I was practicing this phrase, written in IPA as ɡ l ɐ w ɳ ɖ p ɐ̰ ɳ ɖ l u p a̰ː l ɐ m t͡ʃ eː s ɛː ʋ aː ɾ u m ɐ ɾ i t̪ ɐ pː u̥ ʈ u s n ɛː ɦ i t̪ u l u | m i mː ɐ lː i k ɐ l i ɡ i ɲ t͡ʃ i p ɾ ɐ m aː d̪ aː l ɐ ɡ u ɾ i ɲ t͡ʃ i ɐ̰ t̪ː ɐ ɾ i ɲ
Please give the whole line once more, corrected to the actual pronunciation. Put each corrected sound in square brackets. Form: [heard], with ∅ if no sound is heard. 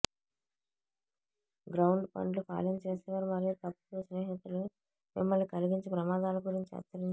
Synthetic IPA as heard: ɡ [ɾ] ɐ w ɳ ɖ p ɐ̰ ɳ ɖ l u p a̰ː l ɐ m t͡ʃ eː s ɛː ʋ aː ɾ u m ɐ ɾ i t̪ ɐ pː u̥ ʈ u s n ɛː ɦ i t̪ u l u | m i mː ɐ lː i k ɐ l i ɡ i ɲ t͡ʃ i p ɾ ɐ m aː d̪ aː l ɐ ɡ u ɾ i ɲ t͡ʃ i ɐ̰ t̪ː ɐ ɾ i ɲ

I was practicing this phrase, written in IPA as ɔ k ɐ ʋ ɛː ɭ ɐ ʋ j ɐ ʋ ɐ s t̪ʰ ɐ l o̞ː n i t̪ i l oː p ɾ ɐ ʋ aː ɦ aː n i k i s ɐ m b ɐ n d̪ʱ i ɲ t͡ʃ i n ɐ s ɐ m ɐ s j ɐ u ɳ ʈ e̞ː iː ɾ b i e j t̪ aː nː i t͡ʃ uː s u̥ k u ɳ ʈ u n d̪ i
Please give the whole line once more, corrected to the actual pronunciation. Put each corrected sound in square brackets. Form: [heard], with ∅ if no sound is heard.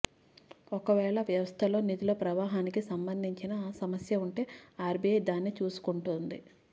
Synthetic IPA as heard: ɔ k ɐ ʋ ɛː ɭ ɐ ʋ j ɐ ʋ ɐ s t̪ʰ ɐ l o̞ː n i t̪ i l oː p ɾ ɐ ʋ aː ɦ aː n i k i s ɐ m b ɐ n d̪ʱ i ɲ t͡ʃ i n ɐ s ɐ m ɐ s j ɐ u ɳ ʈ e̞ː [aː] ɾ b i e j [d̪] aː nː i t͡ʃ uː s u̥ k u ɳ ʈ u n d̪ i

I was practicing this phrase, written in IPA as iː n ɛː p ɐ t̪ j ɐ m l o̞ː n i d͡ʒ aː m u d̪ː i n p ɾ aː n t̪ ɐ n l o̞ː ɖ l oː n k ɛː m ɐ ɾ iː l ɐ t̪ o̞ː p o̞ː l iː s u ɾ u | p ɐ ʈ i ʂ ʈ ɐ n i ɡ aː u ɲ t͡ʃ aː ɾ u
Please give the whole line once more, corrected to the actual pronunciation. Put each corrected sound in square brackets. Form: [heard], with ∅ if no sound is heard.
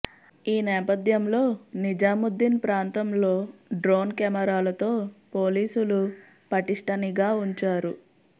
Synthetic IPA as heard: iː n ɛː p ɐ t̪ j ɐ m l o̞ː n i d͡ʒ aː m u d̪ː i n p ɾ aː n t̪ ɐ [m] l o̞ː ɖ [ɾ] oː n k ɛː m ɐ ɾ [aː] l ɐ t̪ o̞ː p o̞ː l iː s u [l] u | p ɐ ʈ i ʂ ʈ ɐ n i ɡ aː u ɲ t͡ʃ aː ɾ u

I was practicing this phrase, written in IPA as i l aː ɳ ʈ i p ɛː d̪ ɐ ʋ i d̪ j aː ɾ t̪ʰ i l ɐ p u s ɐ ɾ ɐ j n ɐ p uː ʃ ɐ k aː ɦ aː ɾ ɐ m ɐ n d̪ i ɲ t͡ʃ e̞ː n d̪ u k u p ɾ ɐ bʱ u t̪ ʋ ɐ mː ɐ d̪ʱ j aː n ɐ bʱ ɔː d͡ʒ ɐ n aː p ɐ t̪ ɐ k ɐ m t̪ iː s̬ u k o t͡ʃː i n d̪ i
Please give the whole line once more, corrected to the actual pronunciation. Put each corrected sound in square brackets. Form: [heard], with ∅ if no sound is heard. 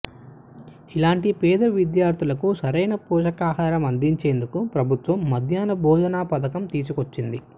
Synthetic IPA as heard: i l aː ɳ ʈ i p ɛː d̪ ɐ ʋ i d̪ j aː ɾ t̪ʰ i l ɐ [k] u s ɐ ɾ ɐ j n ɐ p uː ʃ ɐ k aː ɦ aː ɾ ɐ m ɐ n d̪ i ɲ t͡ʃ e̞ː n d̪ u k u p ɾ ɐ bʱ u t̪ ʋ ɐ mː ɐ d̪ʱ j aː n ɐ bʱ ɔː d͡ʒ ɐ n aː p ɐ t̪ ɐ k ɐ m t̪ iː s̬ u k o t͡ʃː i n d̪ i

